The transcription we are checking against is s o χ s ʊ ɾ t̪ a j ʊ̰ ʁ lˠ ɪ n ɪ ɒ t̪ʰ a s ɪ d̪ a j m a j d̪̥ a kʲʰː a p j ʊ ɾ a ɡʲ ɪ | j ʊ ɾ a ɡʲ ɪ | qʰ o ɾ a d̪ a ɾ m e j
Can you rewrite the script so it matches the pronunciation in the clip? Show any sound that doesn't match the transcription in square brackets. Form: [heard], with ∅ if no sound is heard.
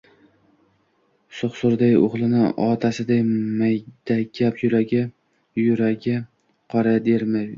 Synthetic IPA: s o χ s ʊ ɾ [d̪] a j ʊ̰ ʁ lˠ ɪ n ɪ ɒ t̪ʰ a s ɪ d̪ a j m a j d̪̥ a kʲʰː a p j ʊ ɾ a ɡʲ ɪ | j ʊ ɾ a ɡʲ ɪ | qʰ [ɒ] ɾ a d̪ [e] ɾ m [a] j